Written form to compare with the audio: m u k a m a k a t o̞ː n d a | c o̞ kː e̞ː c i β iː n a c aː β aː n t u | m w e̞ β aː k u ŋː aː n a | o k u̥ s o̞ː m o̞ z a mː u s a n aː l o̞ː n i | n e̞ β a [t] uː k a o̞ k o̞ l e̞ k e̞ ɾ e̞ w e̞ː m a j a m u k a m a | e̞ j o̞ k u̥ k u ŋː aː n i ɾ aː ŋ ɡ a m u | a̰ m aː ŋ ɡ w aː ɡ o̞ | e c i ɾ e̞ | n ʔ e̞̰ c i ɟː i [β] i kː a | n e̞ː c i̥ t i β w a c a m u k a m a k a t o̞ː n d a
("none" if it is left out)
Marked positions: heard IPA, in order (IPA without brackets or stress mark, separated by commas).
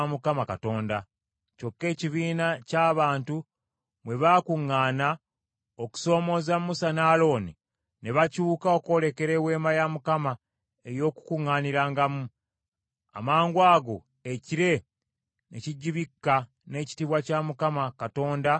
c, β